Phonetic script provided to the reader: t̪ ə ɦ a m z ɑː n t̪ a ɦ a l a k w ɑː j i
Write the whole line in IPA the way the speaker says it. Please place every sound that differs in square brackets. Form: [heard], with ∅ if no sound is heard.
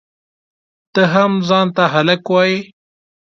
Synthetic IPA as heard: t̪ ə ɦ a m z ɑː n t̪ a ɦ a l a k w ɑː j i